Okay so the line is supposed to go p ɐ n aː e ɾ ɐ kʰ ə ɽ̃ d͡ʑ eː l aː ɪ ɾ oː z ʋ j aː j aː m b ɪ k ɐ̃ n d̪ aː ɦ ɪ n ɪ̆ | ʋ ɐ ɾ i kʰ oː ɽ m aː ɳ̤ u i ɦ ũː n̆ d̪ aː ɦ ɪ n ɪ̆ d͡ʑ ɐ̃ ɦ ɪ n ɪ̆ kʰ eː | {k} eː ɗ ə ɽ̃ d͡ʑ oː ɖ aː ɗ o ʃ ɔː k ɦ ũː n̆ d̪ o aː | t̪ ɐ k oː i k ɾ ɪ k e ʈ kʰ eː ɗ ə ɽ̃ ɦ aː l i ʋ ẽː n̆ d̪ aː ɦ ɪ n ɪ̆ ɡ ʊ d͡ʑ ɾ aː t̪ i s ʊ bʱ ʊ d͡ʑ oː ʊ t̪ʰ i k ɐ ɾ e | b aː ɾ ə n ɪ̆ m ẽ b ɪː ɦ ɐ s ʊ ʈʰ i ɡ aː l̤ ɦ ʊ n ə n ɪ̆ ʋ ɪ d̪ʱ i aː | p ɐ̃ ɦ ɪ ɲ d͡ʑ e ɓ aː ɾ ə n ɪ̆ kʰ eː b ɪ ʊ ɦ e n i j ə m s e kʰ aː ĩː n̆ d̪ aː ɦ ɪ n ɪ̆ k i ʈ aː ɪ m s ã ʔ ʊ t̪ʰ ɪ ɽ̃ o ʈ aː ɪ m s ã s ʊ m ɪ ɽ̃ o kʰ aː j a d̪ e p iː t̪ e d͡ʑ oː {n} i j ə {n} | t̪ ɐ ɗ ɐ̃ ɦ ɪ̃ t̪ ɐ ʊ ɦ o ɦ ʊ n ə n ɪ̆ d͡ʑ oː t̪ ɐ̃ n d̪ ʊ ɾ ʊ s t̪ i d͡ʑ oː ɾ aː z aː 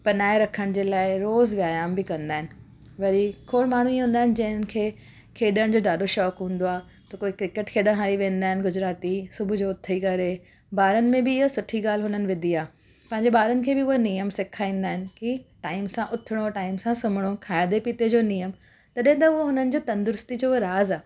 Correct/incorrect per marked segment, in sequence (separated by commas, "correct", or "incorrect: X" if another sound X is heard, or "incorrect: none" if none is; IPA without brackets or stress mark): incorrect: kʰ, correct, incorrect: m